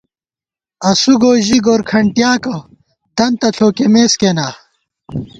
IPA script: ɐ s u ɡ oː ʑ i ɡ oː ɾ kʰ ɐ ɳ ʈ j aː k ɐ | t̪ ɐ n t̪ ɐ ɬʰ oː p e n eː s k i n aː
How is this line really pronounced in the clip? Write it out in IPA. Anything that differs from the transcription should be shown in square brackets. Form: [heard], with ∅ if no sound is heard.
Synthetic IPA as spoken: ɐ s u ɡ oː ʑ i ɡ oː ɾ kʰ ɐ ɳ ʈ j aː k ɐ | t̪ ɐ n t̪ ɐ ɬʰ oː [k] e [m] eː s k [e] n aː